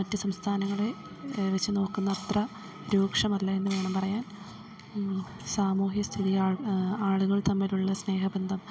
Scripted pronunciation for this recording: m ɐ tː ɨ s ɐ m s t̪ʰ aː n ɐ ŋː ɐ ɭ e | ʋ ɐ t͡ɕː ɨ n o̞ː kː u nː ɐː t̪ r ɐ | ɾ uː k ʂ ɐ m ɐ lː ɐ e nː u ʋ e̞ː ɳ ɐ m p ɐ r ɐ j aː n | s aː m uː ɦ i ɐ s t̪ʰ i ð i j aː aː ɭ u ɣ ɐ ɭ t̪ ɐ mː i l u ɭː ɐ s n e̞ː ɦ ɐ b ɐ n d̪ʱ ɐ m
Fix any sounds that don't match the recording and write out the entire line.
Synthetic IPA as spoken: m ɐ tː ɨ s ɐ m s t̪ʰ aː n ɐ ŋː ɐ ɭ e | ʋ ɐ t͡ɕː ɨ n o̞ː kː u nː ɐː t̪ r ɐ | ɾ uː k ʂ ɐ m ɐ lː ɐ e nː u ʋ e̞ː ɳ ɐ m p ɐ r ɐ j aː n | s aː m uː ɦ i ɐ s t̪ʰ i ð i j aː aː ɭ u ɣ ɐ ɭ t̪ ɐ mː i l u ɭː ɐ s n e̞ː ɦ ɐ b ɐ n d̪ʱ ɐ m

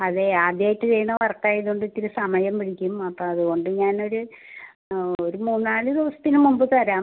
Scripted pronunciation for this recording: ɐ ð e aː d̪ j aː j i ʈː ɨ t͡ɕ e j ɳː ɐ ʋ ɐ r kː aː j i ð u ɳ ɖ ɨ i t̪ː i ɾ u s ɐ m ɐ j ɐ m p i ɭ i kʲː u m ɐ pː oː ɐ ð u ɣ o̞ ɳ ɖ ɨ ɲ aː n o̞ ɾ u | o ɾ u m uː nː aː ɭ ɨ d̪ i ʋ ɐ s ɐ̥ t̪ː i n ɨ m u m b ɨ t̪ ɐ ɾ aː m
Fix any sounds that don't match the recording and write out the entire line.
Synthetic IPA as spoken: ɐ ð e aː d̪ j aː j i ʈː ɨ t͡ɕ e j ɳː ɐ ʋ ɐ r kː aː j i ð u ɳ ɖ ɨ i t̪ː i ɾ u s ɐ m ɐ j ɐ m p i ɽ i kʲː u m ɐ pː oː ɐ ð u ɣ o̞ ɳ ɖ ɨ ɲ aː n o̞ ɾ u | o ɾ u m uː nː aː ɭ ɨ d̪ i ʋ ɐ s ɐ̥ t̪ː i n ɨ m u m b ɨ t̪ ɐ ɾ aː m

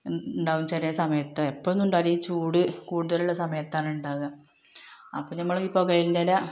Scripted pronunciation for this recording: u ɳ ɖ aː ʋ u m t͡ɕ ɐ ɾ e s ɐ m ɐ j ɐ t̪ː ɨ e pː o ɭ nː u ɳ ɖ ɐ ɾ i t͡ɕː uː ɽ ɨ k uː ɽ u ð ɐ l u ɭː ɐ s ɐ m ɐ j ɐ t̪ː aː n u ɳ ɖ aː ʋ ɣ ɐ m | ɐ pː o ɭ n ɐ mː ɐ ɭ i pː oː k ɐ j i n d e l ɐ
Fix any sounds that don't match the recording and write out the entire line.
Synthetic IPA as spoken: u ɳ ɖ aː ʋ u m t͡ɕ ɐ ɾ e s ɐ m ɐ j ɐ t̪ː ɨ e pː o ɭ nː u ɳ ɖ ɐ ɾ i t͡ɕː uː ɽ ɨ k uː ɽ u ð ɐ l u ɭː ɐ s ɐ m ɐ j ɐ t̪ː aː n u ɳ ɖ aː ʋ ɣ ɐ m | ɐ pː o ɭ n ɐ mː ɐ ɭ i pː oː k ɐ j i n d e l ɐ

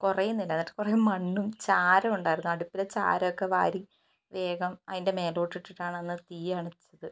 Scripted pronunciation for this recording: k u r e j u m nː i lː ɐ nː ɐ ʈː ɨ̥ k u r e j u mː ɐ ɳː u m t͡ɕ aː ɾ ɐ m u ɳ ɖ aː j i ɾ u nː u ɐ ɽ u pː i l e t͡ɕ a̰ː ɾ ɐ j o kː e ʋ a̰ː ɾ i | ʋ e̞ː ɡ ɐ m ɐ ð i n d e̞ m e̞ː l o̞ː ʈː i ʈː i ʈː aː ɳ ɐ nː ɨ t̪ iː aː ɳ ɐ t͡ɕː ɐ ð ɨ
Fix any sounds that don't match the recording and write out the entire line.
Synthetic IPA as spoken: k u r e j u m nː i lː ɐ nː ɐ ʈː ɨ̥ k u r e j u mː ɐ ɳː u m t͡ɕ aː ɾ ɐ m u ɳ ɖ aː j i ɾ u nː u ɐ ɽ u pː i l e t͡ɕ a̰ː ɾ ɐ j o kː e ʋ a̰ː ɾ i | ʋ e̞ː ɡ ɐ m ɐ ð i n d e̞ m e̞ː l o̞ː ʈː i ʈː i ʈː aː ɳ ɐ nː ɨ t̪ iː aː ɳ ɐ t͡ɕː ɐ ð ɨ

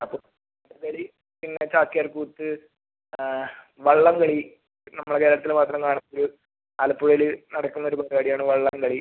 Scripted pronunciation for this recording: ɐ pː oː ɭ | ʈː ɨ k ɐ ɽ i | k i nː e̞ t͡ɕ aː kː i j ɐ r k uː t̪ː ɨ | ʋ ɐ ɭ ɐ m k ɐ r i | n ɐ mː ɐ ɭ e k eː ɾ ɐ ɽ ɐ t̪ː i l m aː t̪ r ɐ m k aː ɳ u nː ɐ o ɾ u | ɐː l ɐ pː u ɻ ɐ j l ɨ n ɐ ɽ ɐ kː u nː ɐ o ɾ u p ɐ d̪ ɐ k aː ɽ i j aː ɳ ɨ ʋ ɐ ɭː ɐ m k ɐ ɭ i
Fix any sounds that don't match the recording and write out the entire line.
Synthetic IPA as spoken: ɐ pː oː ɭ | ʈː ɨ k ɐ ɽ i | p i nː e̞ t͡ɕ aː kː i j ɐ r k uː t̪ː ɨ | ʋ ɐ ɭː ɐ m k ɐ ɭ i | n ɐ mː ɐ ɭ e k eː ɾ ɐ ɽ ɐ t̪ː i l m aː t̪ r ɐ m k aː ɳ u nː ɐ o ɾ u | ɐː l ɐ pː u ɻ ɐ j l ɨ n ɐ ɽ ɐ kː u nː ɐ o ɾ u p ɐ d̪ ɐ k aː ɽ i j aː ɳ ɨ ʋ ɐ ɭː ɐ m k ɐ ɭ i

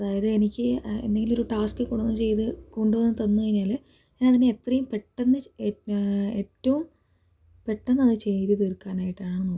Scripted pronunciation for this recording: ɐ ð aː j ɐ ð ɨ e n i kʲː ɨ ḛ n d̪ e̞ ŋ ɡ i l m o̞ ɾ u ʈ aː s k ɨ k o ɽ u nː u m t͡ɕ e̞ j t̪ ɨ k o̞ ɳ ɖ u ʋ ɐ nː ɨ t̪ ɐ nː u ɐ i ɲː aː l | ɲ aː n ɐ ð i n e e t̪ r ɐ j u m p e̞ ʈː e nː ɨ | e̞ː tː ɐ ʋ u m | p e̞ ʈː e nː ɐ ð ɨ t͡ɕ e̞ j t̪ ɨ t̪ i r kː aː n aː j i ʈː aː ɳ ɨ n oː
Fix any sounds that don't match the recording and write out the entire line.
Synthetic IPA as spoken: ɐ ð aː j ɐ ð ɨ e n i kʲː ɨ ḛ n d̪ e̞ ŋ ɡ i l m o̞ ɾ u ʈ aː s k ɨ k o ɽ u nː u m t͡ɕ e̞ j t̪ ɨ k o̞ ɳ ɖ u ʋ ɐ nː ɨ t̪ ɐ nː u ɐ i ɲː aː l | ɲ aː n ɐ ð i n e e t̪ r ɐ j u m p e̞ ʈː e nː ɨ | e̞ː tː ɐ ʋ u m | p e̞ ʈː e nː ɐ ð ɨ t͡ɕ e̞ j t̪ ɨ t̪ i r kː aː n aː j i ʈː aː ɳ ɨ n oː

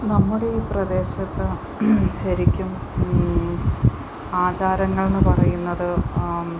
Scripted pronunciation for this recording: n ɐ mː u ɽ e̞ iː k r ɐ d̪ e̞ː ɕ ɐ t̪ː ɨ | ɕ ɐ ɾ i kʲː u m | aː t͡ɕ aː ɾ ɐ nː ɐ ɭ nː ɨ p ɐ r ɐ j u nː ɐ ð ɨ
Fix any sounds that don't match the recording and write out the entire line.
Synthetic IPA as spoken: n ɐ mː u ɽ e̞ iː p r ɐ d̪ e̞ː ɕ ɐ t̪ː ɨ | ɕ ɐ ɾ i kʲː u m | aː t͡ɕ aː ɾ ɐ ŋː ɐ ɭ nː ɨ p ɐ r ɐ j u nː ɐ ð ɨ

